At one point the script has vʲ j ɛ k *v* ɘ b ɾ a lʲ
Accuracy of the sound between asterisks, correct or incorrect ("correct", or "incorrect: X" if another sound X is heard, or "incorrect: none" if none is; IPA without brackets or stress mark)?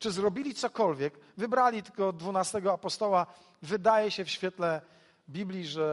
correct